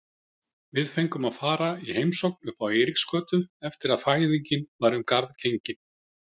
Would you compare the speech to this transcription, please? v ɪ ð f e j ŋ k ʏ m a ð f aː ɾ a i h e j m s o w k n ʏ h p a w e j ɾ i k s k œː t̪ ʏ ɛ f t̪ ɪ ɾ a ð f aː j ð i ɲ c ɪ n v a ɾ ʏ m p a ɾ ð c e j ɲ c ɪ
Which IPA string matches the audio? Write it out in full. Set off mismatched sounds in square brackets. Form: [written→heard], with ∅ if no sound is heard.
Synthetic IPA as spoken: v ɪ ð f e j ŋ k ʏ m a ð f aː ɾ a i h e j m s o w k n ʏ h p a w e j ɾ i k s k œː t̪ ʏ ɛ f t̪ ɪ ɾ a ð f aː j ð i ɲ c ɪ n v a ɾ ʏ m [p→k] a ɾ ð c e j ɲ c ɪ